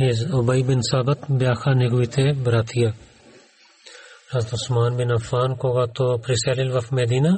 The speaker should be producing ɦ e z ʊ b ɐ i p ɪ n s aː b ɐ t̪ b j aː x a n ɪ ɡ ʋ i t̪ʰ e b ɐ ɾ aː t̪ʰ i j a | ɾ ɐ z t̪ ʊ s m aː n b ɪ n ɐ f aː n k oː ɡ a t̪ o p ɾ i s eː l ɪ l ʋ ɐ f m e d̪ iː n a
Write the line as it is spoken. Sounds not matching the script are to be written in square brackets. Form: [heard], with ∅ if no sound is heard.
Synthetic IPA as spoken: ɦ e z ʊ b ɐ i [b] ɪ n s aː b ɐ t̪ b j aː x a n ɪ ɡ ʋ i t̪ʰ e b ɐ ɾ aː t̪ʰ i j a | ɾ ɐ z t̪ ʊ s m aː n b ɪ n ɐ f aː n k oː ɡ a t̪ o p ɾ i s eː l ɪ l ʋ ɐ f m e d̪ iː n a